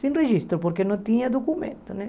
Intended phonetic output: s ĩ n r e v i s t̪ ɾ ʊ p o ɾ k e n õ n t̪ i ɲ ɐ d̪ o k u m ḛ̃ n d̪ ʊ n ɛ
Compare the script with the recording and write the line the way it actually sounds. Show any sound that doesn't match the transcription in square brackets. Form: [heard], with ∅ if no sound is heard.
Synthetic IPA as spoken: s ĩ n r e [ʒ] i s t̪ ɾ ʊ p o ɾ k e n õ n t̪ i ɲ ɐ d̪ o k u m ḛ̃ n [t̪] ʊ n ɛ

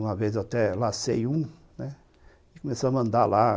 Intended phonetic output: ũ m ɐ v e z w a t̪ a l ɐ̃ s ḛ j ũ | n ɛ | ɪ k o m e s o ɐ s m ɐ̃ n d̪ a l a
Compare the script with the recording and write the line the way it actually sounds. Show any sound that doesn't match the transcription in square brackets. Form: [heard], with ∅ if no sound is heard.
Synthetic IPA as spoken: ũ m ɐ v e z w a t̪ [ɛ] l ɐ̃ s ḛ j ũ | n ɛ | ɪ k o m e s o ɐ [∅] m ɐ̃ n d̪ a l a

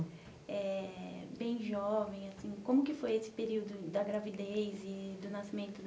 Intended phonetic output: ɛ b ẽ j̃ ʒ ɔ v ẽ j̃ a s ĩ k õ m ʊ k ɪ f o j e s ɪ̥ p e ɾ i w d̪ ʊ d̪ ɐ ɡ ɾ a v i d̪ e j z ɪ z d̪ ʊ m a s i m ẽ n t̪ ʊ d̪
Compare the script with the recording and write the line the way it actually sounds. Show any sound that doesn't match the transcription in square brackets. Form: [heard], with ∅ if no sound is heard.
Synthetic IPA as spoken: ɛ b ẽ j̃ ʒ ɔ v ẽ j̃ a s ĩ k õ m ʊ k ɪ f o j e s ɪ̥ p e ɾ i w d̪ ʊ d̪ ɐ ɡ ɾ a v i d̪ e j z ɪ [∅] d̪ ʊ [n] a s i m ẽ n t̪ ʊ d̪

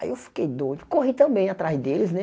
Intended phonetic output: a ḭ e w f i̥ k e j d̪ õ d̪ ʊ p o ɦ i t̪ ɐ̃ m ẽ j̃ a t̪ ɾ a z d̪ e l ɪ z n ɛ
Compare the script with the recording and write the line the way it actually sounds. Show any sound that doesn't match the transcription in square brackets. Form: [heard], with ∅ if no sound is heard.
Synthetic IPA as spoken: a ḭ e w f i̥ k e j d̪ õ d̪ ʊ [k] o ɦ i t̪ ɐ̃ [b] ẽ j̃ a t̪ ɾ a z d̪ e l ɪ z n ɛ

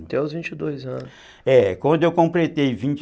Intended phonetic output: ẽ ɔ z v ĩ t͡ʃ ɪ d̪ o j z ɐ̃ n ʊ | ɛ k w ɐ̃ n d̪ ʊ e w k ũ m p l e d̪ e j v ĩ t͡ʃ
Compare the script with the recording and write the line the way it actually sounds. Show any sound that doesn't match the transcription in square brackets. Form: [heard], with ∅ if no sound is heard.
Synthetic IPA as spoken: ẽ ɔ z v ĩ t͡ʃ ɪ d̪ o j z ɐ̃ n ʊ | ɛ k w ɐ̃ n d̪ ʊ e w k [õ] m p l e [t̪] e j v ĩ t͡ʃ

